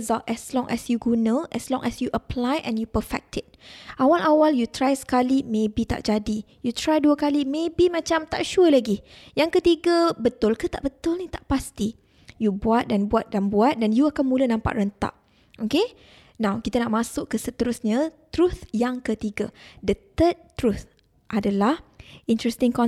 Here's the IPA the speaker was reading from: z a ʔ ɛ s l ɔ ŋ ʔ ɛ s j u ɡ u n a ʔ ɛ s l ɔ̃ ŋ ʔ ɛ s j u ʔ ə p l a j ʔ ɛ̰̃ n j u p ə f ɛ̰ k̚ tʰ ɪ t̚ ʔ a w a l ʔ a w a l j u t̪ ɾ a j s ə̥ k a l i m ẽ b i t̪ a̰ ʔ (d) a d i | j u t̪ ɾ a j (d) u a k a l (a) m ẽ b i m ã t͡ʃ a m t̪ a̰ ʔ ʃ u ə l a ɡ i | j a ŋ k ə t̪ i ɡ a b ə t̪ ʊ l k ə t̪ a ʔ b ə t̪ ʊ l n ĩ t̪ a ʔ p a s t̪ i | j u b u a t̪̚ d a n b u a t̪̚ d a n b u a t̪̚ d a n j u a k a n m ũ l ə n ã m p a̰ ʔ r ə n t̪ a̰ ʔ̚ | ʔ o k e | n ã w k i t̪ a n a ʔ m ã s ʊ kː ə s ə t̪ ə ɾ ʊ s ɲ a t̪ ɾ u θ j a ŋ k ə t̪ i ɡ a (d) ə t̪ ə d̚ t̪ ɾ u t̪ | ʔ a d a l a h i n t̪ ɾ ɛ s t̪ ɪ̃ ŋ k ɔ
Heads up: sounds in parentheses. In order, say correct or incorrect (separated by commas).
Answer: incorrect, correct, incorrect, correct